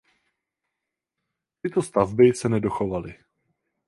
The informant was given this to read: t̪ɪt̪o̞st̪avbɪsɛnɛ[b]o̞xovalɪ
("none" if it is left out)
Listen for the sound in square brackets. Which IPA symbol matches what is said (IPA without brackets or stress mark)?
d